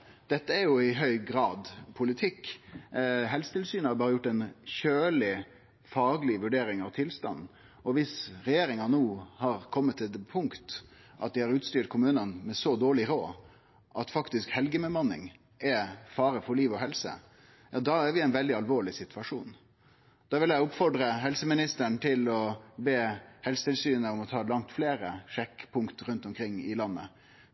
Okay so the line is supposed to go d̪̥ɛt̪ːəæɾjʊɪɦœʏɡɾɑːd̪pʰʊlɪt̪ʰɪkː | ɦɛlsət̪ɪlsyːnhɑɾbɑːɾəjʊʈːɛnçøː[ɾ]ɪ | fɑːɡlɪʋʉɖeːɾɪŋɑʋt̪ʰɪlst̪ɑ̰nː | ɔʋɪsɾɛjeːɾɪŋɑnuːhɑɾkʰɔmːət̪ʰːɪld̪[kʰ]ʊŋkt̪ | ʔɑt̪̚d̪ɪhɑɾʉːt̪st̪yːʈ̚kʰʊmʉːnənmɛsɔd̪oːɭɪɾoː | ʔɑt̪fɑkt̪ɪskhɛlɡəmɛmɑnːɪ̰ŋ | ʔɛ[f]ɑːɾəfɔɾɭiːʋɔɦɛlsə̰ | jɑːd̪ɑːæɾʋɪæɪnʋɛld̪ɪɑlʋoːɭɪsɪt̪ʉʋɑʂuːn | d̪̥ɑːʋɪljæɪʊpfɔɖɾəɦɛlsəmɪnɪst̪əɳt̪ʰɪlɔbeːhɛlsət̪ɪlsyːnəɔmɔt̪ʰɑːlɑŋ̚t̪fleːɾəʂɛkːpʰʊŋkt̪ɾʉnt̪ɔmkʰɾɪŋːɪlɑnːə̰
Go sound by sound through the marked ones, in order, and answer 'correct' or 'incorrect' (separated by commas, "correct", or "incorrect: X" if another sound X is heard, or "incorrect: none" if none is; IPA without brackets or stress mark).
incorrect: l, incorrect: pʰ, correct